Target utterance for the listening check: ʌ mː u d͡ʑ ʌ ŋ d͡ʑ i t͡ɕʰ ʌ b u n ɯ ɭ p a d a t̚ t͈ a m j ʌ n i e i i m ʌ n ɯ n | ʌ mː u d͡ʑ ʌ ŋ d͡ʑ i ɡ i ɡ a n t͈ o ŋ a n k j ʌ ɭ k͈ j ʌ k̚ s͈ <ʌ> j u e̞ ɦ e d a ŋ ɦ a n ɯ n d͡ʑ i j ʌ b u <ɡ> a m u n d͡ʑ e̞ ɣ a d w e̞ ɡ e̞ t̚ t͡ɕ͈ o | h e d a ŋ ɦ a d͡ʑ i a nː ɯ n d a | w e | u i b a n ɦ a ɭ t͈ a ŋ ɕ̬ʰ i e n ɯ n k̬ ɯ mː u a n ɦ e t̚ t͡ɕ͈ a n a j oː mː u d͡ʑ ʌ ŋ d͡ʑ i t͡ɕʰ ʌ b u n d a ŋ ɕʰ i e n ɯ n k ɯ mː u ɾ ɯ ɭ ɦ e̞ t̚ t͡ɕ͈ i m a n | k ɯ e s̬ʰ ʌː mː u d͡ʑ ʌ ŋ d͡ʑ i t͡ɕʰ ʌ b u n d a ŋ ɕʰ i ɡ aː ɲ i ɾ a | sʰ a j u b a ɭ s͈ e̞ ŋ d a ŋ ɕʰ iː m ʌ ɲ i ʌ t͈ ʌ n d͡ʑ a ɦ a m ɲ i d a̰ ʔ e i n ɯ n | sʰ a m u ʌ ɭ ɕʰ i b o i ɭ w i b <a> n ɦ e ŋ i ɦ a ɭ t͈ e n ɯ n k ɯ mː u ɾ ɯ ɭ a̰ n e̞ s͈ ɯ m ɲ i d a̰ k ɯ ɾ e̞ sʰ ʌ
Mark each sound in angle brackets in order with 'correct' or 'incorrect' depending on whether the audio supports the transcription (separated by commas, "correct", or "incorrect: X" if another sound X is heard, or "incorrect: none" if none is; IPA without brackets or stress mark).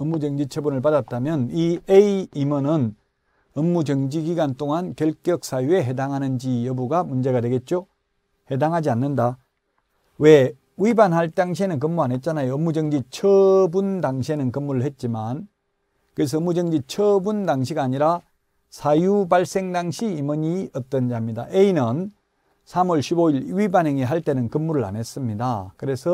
incorrect: a, correct, correct